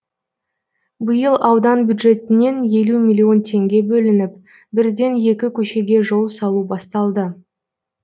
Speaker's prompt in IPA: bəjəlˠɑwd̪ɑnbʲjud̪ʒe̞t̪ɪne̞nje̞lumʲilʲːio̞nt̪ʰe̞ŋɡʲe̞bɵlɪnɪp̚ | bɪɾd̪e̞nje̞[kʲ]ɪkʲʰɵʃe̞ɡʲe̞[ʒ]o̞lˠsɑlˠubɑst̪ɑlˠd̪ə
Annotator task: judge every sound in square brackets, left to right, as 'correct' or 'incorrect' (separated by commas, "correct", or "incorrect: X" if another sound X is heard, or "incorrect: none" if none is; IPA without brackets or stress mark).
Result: correct, correct